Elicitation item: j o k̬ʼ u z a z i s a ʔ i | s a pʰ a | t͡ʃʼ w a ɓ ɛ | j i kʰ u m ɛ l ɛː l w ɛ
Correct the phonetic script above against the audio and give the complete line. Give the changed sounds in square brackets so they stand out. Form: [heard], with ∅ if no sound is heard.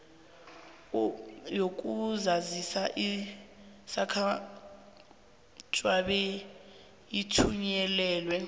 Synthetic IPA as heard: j o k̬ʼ u z a z i s a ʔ i | s a [kʰ] a | t͡ʃʼ w a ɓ ɛ | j i [tʰ] u [ɲ] ɛ l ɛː l w ɛ